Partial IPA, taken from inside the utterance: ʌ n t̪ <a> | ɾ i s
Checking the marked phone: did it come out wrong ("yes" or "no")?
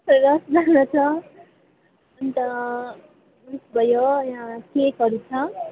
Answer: yes